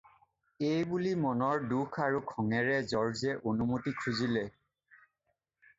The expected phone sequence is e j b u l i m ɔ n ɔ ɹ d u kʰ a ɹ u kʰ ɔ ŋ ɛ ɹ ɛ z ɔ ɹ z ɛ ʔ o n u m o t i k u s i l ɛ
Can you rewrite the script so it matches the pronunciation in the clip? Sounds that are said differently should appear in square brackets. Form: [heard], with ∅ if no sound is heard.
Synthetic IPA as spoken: e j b u l i m ɔ n ɔ ɹ d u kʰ a ɹ u kʰ ɔ ŋ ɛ ɹ ɛ z ɔ ɹ z ɛ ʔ o n u m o t i [kʰ] u [z] i l ɛ